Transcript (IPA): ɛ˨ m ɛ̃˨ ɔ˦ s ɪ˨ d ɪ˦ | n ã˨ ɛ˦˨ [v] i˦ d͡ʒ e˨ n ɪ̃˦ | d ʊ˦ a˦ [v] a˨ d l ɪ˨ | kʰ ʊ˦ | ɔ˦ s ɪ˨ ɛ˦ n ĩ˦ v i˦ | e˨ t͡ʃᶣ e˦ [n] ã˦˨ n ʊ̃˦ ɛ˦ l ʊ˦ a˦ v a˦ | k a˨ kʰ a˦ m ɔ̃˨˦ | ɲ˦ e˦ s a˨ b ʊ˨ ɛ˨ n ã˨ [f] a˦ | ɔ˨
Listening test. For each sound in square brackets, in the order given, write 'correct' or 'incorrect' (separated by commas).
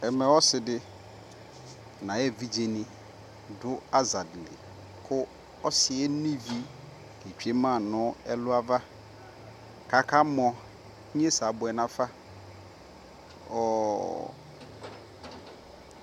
correct, incorrect, incorrect, correct